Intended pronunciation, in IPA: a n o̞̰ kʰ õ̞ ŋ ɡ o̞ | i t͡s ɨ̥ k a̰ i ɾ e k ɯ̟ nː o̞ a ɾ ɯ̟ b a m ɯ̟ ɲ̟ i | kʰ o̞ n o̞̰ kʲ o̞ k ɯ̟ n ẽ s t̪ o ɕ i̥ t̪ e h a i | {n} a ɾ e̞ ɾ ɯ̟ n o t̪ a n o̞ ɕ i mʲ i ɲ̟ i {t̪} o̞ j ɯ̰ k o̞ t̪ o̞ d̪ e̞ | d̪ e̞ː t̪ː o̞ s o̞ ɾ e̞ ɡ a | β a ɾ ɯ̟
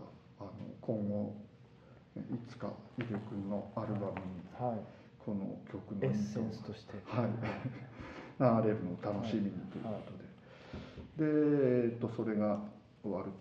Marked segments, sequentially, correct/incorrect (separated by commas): correct, correct